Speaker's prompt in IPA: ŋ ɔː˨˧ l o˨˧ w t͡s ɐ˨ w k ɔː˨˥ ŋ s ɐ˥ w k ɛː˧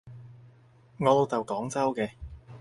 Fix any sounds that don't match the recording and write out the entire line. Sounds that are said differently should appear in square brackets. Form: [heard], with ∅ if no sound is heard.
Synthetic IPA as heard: ŋ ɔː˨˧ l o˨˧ w t͡s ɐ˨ w k ɔː˨˥ ŋ [t͡s] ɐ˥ w k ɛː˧